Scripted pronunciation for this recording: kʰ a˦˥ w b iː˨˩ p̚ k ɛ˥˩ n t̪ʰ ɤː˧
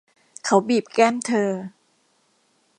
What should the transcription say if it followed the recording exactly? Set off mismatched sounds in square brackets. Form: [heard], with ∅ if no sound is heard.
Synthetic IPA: kʰ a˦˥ w b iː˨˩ p̚ k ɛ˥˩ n t̪ʰ ɤː˧

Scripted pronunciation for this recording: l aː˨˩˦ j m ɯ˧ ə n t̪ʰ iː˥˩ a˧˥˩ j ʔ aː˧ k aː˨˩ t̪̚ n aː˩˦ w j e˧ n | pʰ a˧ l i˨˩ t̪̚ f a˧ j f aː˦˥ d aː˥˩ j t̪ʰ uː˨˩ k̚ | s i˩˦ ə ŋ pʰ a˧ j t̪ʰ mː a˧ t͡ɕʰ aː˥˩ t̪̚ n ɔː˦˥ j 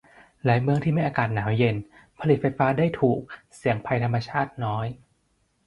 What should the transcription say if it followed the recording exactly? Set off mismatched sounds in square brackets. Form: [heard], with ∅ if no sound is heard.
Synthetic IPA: l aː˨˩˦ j m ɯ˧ ə [ŋ] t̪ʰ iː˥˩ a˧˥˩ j ʔ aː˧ k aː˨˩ t̪̚ n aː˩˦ w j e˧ n | pʰ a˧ l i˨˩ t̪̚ f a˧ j f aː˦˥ d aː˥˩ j t̪ʰ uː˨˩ k̚ | s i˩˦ ə ŋ pʰ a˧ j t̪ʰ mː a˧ t͡ɕʰ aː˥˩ t̪̚ n ɔː˦˥ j

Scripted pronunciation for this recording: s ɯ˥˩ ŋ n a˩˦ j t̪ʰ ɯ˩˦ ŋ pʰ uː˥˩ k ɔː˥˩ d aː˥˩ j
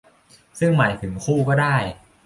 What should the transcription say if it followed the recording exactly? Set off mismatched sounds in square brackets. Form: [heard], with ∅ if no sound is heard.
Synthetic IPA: s ɯ˥˩ ŋ [m] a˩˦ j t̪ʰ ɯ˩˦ ŋ [kʰ] uː˥˩ k ɔː˥˩ d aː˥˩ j

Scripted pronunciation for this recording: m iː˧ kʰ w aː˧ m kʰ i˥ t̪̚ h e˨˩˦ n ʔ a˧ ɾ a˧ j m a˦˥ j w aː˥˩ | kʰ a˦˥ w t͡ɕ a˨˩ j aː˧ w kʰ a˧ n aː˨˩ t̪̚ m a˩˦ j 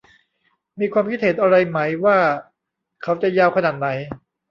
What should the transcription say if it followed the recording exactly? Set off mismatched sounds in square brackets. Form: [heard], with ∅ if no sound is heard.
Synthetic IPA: m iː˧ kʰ w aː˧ m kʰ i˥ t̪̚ h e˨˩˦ n ʔ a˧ ɾ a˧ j m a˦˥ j w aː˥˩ | kʰ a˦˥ w t͡ɕ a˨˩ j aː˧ w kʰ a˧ n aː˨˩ t̪̚ [n] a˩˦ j

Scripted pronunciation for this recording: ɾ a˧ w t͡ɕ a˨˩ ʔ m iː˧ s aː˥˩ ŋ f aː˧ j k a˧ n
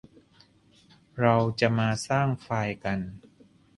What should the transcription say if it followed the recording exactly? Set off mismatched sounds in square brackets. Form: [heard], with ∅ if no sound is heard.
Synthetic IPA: ɾ a˧ w t͡ɕ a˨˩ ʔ m [aː˧] s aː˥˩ ŋ f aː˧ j k a˧ n

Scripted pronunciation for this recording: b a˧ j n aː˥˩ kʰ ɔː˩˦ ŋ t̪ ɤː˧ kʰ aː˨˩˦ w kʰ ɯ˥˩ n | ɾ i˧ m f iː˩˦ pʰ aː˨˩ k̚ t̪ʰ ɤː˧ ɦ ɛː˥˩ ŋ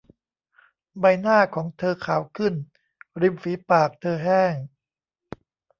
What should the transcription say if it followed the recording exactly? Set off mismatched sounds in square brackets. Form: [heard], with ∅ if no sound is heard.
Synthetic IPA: b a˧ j n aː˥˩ kʰ ɔː˩˦ ŋ [t̪ʰ] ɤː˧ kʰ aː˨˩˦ w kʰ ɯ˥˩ n | ɾ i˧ m f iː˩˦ [p] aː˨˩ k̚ t̪ʰ ɤː˧ ɦ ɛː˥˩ ŋ

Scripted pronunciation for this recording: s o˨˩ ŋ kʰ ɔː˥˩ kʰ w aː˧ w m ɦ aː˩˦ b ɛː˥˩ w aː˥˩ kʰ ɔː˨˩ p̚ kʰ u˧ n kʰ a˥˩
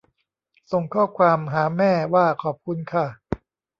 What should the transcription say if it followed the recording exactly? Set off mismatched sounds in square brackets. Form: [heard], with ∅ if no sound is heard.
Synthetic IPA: s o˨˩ ŋ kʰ ɔː˥˩ kʰ w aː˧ [∅] m ɦ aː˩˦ [m] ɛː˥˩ w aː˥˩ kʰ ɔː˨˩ p̚ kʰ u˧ n kʰ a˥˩

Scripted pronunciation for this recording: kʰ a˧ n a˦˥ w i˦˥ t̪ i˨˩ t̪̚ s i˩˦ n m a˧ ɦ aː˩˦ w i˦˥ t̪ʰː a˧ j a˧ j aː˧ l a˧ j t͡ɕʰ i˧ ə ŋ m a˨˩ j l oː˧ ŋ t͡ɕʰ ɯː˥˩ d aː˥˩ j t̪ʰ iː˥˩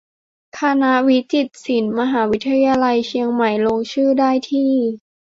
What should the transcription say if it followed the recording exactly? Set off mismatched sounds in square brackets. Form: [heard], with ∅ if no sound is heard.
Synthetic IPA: kʰ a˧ n a˦˥ w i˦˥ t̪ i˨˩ t̪̚ s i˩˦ n m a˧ ɦ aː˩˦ w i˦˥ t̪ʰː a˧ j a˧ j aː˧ l a˧ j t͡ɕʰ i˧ ə ŋ m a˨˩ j l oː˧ ŋ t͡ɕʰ ɯː˥˩ d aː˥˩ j t̪ʰ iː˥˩

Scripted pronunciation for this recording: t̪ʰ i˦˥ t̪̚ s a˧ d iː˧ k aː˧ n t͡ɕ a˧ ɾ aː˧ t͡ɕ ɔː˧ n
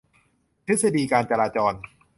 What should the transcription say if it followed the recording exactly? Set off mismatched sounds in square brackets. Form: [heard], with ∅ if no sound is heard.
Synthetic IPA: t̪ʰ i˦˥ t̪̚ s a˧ d iː˧ k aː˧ n t͡ɕ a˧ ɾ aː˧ t͡ɕ ɔː˧ n

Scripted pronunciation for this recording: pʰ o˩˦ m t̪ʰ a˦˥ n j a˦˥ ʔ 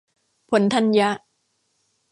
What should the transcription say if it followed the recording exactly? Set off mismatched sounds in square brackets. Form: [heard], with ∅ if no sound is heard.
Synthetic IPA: pʰ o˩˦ [n] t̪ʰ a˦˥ n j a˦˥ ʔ

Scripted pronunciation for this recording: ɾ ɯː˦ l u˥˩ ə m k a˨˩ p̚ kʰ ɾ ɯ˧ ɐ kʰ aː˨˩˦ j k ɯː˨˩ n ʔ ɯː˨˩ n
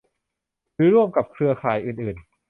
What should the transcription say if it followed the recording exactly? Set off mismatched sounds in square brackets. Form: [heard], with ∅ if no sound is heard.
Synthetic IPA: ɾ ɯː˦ [ɾ] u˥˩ ə m k a˨˩ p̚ kʰ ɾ ɯ˧ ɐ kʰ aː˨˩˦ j [ʔ] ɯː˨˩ n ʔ ɯː˨˩ n

